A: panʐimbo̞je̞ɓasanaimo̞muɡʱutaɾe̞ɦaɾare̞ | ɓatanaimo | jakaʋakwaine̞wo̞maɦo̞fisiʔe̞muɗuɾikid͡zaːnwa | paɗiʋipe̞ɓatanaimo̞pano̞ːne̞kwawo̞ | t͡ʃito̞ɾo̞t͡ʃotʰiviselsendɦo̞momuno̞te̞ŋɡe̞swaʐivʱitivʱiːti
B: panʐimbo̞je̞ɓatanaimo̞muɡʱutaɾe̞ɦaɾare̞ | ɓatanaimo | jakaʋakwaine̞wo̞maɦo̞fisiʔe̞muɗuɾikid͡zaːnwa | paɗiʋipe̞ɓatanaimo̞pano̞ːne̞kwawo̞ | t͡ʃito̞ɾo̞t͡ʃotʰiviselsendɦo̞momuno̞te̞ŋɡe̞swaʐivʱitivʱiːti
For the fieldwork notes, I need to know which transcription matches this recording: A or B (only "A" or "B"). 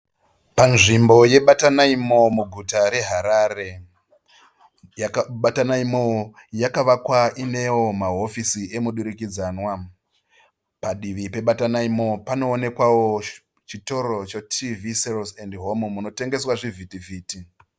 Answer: B